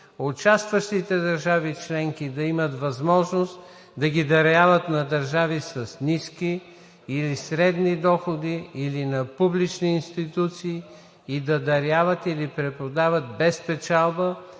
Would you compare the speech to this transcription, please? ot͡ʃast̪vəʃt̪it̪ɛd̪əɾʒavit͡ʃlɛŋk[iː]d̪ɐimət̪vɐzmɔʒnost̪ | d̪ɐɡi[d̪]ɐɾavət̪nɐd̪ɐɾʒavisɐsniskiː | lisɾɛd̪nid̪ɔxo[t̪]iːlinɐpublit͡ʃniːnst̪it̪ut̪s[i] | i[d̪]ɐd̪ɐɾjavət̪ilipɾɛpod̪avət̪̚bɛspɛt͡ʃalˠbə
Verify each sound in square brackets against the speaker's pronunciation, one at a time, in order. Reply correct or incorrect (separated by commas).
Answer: incorrect, correct, incorrect, incorrect, correct